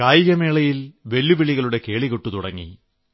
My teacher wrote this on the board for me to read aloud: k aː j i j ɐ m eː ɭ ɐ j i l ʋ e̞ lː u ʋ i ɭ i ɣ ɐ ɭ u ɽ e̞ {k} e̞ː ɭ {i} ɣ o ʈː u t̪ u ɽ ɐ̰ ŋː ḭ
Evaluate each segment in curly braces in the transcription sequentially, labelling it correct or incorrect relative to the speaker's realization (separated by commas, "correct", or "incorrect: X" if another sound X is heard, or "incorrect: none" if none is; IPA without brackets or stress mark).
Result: correct, correct